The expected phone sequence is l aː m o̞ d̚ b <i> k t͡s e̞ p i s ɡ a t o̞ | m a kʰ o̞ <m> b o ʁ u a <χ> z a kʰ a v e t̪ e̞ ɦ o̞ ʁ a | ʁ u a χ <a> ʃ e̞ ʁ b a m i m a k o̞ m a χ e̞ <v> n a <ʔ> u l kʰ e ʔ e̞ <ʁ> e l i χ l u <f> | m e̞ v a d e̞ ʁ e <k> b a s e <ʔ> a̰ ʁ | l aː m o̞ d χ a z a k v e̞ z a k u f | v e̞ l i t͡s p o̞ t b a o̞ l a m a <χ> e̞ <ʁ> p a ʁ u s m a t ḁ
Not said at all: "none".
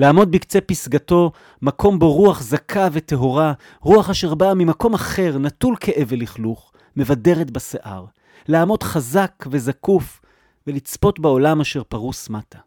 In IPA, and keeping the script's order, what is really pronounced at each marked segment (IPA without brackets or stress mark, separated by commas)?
i, m, χ, a, ʁ, t, v, χ, t, ʔ, ʃ, ʁ